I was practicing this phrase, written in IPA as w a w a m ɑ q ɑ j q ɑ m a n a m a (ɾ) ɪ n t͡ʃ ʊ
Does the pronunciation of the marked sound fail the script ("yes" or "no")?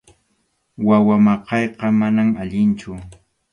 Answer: yes